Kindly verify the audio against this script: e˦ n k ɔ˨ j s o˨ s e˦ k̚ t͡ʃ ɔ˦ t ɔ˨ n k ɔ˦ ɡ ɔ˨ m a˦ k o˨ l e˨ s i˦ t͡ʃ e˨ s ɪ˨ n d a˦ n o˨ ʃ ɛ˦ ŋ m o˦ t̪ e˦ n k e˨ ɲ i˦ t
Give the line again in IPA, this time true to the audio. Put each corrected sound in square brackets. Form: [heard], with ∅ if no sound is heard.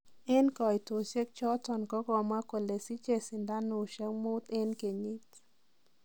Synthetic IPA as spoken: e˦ n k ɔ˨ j [t] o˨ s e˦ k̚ t͡ʃ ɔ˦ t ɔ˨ n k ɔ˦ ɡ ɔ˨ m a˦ k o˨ l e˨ s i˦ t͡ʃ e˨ s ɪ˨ n d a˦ n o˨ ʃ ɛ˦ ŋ m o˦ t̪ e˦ n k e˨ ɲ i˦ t